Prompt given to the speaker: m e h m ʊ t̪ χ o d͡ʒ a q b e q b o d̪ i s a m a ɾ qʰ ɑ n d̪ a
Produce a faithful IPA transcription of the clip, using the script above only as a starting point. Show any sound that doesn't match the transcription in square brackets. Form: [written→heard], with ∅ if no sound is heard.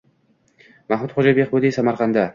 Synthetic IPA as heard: m [e→a] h m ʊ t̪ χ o d͡ʒ a [q→∅] b e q b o d̪ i s a m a ɾ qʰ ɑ n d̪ a

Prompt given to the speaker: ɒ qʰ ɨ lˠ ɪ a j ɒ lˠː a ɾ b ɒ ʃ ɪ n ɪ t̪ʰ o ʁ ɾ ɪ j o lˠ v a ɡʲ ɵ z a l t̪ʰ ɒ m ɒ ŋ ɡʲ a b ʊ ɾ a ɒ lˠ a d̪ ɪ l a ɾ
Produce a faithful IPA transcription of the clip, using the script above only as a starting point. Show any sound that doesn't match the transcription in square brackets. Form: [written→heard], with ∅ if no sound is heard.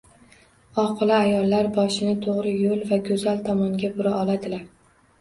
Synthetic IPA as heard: ɒ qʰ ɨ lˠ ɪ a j ɒ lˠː a ɾ b ɒ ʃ ɪ n ɪ t̪ʰ o ʁ ɾ ɪ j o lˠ v a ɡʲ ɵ z a l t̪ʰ ɒ m ɒ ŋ ɡʲ a b ʊ ɾ a ɒ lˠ a d̪ ɪ l a ɾ

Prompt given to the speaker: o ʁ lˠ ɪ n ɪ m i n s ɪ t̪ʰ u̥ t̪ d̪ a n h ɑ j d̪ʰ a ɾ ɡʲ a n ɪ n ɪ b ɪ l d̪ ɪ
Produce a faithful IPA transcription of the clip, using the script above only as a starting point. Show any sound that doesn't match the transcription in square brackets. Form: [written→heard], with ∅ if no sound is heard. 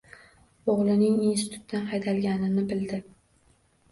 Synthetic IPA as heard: o ʁ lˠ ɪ n ɪ [m→ŋ] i n s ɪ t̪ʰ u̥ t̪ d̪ a n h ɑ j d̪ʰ a [ɾ→l] ɡʲ a n ɪ n ɪ b ɪ l d̪ ɪ

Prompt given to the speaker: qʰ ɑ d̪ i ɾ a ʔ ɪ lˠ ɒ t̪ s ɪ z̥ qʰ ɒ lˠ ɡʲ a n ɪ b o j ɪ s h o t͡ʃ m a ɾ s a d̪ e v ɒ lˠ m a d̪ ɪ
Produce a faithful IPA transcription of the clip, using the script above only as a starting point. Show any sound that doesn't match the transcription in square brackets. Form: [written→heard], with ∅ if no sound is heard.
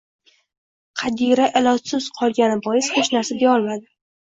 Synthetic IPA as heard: qʰ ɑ d̪ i ɾ a ʔ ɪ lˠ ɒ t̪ s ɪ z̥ qʰ ɒ lˠ ɡʲ a n ɪ b [o→ɒ] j ɪ s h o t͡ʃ [m→n] a ɾ s a d̪ e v ɒ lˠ m a d̪ ɪ

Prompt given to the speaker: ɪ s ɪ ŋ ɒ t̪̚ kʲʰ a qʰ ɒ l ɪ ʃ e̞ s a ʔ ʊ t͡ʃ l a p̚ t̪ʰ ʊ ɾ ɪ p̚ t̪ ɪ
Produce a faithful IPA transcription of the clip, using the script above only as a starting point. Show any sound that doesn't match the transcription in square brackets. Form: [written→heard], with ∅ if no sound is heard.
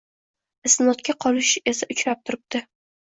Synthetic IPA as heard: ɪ s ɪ [ŋ→n] ɒ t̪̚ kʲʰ a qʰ ɒ l ɪ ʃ e̞ s a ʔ ʊ t͡ʃ [l→ɾ] a p̚ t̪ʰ ʊ ɾ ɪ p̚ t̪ ɪ

